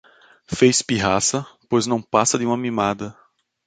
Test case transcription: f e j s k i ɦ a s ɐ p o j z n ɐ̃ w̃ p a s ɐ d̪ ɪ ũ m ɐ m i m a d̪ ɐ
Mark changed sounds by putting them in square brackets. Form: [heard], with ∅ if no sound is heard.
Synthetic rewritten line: f e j s [p] i ɦ a s ɐ p o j z n ɐ̃ w̃ p a s ɐ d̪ ɪ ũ m ɐ m i m a d̪ ɐ